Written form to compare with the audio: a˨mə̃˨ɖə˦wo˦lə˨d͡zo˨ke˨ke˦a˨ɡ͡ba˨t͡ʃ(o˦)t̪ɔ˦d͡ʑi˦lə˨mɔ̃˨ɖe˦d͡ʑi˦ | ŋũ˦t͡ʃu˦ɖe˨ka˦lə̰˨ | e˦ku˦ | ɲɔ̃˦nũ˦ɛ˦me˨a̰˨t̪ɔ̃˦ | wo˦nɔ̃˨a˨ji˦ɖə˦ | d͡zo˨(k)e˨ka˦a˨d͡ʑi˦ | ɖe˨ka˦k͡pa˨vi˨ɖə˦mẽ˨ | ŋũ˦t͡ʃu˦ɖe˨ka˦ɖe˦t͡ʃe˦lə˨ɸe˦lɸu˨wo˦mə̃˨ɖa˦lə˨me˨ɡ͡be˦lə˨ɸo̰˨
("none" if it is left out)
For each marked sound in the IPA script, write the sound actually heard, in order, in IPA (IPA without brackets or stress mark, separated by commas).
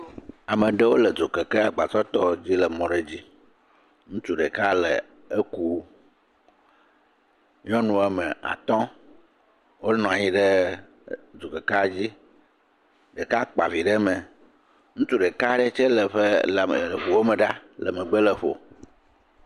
ɔ˦, k